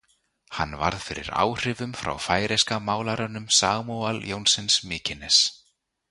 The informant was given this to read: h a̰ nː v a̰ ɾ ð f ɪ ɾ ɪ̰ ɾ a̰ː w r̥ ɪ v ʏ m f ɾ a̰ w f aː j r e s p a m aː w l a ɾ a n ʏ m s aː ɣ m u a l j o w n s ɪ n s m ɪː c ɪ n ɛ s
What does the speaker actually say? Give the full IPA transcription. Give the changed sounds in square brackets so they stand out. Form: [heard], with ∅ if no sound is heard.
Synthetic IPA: h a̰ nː v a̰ ɾ ð f ɪ ɾ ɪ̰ ɾ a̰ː w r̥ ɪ v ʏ m f ɾ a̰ w f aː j [ɾ] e s [k] a m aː w l a ɾ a n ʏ m s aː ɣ m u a l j o w n s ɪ n s m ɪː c ɪ n ɛ s